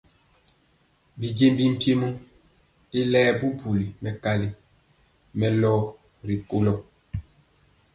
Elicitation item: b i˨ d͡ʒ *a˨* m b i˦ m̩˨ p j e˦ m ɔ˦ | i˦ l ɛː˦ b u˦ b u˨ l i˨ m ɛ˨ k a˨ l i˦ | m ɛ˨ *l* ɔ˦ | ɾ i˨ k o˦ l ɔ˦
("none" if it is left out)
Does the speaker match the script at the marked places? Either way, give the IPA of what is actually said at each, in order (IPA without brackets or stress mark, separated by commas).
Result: e˨, l